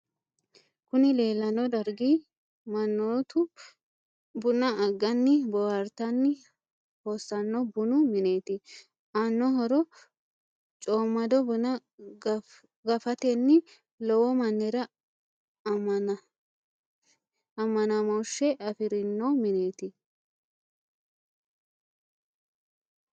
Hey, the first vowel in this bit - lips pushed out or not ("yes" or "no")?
yes